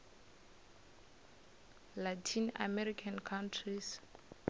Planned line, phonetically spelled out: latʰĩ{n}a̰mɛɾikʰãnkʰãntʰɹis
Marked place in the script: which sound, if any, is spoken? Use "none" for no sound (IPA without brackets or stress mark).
n